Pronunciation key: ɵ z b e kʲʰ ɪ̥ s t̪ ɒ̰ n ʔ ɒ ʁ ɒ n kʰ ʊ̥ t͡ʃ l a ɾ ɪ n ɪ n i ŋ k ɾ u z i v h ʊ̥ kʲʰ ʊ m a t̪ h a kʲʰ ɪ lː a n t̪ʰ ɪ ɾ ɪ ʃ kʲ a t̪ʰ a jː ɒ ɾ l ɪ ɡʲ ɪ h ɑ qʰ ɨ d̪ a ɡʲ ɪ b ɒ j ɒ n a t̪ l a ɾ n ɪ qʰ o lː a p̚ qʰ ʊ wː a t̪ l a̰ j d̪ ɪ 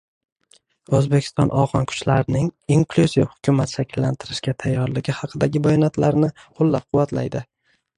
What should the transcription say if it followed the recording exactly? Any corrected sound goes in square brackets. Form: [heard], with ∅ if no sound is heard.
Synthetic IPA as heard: ɵ z b e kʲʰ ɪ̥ s t̪ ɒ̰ n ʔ ɒ ʁ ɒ n kʰ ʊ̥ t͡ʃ l a ɾ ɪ n ɪ [ŋ] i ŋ k [l] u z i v h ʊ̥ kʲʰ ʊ m a t̪ [ʃ] a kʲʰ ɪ lː a n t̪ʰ ɪ ɾ ɪ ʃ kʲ a t̪ʰ a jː ɒ ɾ l ɪ ɡʲ ɪ h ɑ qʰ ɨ d̪ a ɡʲ ɪ b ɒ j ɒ n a t̪ l a ɾ n ɪ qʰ o lː a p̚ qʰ ʊ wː a t̪ l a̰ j d̪ ɪ